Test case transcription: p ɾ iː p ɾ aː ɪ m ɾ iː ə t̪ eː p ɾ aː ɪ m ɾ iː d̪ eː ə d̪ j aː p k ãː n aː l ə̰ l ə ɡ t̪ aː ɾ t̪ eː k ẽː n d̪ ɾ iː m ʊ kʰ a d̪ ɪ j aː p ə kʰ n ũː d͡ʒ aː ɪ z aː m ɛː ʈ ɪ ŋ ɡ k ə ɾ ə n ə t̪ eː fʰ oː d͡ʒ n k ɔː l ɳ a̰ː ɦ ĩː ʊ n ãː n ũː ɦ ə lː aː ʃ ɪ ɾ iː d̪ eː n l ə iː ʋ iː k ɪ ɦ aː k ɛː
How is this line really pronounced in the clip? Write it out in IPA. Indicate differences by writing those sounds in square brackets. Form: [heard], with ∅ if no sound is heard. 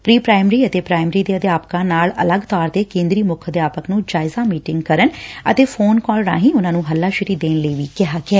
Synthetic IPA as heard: p ɾ iː p ɾ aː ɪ m ɾ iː ə t̪ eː p ɾ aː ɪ m ɾ iː d̪ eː ə d̪ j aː p k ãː n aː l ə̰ l ə ɡ t̪ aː ɾ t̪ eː k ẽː n d̪ ɾ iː m ʊ kʰ [ə] d̪ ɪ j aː p ə [k] n ũː d͡ʒ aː ɪ z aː m [iː] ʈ ɪ ŋ ɡ k ə ɾ ə n ə t̪ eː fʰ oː [∅] n k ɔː l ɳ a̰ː ɦ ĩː ʊ n ãː n ũː ɦ ə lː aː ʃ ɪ ɾ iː d̪ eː n l ə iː ʋ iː k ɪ ɦ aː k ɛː